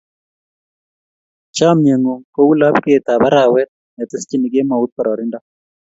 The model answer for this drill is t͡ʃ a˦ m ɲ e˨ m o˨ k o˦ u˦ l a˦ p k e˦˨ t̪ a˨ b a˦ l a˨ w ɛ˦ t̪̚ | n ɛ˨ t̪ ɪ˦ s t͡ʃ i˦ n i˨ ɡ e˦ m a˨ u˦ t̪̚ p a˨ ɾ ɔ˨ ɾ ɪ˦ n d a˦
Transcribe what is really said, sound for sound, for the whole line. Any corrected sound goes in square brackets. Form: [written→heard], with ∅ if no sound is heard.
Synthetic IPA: t͡ʃ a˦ m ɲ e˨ [m→ŋ] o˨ k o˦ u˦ l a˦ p k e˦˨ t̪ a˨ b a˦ [l→ɾ] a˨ w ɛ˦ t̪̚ | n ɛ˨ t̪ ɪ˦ s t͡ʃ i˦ n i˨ ɡ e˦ m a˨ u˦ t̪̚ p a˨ ɾ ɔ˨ ɾ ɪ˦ n d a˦